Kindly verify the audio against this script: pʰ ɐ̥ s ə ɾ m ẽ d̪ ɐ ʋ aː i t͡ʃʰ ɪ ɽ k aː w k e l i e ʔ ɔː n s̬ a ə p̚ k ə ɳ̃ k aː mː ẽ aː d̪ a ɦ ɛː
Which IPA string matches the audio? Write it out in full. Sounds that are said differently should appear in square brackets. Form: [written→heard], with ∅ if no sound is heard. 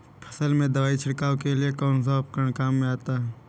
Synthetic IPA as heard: pʰ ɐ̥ s ə [ɾ→l] m ẽ d̪ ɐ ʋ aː i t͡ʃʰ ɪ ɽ k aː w k e l i e [ʔ→k] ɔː n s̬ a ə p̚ k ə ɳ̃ k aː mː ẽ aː [d̪→t̪] a ɦ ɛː